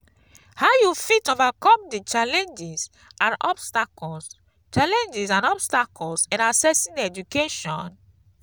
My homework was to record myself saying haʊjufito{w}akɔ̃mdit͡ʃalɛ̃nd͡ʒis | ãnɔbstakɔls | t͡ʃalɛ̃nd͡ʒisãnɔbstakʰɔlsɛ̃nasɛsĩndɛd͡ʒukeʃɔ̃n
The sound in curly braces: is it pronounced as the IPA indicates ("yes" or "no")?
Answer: no